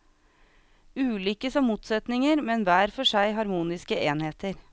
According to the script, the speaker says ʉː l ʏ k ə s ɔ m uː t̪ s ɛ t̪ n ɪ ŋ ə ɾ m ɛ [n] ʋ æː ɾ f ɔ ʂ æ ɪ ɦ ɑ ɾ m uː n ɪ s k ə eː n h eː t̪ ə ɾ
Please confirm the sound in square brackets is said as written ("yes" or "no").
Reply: yes